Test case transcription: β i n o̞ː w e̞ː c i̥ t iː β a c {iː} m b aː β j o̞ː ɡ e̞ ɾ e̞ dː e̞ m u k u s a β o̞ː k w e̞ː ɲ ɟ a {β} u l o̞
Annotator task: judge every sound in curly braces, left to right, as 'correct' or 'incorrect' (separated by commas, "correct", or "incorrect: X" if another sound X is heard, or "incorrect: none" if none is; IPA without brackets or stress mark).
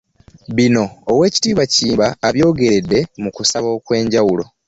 correct, incorrect: w